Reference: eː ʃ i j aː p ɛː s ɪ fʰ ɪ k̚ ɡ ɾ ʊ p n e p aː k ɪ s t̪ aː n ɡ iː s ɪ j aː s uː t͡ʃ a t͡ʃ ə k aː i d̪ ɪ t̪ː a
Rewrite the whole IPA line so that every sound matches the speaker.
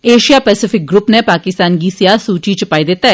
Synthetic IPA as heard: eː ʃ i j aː p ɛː s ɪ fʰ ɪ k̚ ɡ ɾ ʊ p n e p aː k ɪ s t̪ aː n ɡ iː s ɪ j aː s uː t͡ʃ i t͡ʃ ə p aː i d̪ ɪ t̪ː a